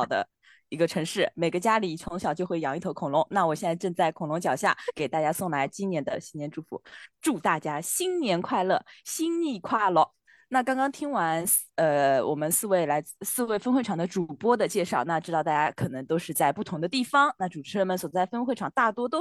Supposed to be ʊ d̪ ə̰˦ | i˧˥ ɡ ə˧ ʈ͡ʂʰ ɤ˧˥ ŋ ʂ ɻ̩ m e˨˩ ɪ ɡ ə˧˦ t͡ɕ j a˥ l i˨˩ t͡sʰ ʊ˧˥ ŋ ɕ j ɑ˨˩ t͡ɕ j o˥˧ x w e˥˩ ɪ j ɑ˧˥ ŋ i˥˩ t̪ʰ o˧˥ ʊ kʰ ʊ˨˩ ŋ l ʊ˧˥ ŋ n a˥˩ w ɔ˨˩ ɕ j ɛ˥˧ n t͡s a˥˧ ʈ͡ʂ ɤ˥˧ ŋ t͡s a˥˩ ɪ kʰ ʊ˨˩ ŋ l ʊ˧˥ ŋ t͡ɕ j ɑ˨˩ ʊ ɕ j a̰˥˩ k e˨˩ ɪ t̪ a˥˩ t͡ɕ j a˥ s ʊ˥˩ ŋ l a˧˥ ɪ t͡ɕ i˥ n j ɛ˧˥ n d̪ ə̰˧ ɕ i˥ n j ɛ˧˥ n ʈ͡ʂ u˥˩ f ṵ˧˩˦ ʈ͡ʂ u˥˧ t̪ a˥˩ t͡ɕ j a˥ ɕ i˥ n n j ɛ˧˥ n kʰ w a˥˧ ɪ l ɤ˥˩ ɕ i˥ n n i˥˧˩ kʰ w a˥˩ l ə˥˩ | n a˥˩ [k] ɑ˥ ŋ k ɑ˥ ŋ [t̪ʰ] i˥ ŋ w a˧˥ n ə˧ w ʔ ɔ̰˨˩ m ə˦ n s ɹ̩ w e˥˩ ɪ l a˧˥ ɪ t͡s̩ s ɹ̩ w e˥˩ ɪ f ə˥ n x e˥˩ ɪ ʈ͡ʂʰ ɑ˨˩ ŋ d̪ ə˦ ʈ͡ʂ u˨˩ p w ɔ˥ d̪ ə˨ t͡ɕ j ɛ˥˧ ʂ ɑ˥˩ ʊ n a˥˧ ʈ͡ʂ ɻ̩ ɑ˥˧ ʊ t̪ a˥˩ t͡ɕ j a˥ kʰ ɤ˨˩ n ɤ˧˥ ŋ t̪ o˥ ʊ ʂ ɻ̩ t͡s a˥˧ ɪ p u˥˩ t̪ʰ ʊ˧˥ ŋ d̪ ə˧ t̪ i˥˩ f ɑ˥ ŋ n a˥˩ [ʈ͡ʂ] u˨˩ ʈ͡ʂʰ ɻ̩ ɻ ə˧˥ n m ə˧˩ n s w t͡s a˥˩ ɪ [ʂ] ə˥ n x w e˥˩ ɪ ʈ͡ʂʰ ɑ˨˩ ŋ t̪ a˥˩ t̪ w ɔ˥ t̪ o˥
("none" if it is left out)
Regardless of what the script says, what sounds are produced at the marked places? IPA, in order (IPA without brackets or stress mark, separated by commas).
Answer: k, t̪ʰ, ʈ͡ʂ, f